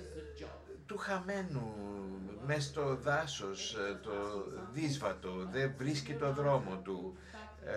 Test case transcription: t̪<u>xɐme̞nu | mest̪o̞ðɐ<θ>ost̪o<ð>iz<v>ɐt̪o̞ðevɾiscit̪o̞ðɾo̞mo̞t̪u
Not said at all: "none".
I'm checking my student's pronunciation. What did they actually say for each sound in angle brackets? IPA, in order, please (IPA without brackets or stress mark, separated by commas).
u, s, ð, v